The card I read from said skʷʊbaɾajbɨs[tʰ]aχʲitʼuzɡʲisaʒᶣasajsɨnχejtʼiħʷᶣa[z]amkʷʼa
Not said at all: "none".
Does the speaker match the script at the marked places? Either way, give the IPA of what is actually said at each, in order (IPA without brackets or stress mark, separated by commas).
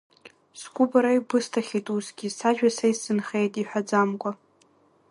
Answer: tʰ, d͡z